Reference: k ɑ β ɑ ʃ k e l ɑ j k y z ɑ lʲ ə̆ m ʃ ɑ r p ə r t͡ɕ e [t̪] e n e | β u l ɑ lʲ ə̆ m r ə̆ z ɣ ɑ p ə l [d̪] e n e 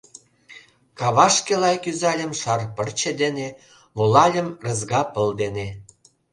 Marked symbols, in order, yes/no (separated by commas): no, yes